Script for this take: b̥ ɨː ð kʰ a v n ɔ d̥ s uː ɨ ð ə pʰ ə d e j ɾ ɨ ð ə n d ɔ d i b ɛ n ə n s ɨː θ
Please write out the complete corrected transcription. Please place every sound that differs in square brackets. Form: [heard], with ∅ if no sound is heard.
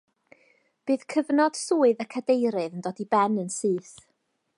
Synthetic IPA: b̥ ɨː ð kʰ [ə] v n ɔ d̥ s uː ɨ ð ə [kʰ] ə d e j ɾ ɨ ð ə n d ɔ d i b ɛ n ə n s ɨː θ